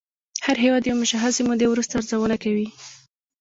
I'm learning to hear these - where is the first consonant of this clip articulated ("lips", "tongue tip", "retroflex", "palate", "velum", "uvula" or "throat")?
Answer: throat